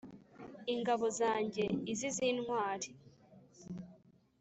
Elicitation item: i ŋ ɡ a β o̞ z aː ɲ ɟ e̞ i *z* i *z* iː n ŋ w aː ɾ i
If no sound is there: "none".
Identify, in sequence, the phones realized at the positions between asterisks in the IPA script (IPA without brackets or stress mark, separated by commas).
z, z